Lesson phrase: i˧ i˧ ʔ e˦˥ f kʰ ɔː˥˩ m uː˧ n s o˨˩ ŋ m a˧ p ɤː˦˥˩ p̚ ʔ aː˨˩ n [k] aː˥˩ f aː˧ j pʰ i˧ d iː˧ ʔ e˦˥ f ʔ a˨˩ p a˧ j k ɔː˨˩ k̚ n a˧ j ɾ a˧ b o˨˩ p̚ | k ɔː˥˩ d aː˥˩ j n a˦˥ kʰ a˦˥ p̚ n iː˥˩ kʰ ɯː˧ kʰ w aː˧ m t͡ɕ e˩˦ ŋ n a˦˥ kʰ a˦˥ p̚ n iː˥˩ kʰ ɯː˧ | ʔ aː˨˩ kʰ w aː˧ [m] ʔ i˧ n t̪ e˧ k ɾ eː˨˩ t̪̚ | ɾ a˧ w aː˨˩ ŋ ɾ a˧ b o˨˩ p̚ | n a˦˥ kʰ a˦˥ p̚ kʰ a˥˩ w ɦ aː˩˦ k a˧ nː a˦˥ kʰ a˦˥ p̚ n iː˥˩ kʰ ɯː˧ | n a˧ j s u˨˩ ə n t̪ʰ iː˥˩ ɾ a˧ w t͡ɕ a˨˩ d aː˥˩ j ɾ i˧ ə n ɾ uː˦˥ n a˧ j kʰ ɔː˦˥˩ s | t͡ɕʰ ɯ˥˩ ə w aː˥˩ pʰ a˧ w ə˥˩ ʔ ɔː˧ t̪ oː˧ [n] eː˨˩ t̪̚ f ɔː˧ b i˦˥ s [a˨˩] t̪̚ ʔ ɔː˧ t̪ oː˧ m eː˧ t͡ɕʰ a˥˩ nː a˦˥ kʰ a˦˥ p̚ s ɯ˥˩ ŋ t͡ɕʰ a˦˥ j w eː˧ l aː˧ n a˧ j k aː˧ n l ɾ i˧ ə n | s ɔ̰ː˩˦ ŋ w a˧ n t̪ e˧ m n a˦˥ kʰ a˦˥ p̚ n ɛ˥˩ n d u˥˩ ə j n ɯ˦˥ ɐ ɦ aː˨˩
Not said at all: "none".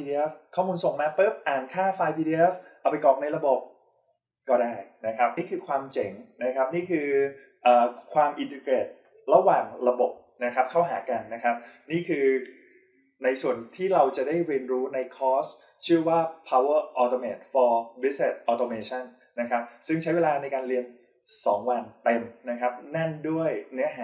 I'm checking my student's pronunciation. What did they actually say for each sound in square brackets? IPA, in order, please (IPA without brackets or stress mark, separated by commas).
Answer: kʰ, m, m, e˨˩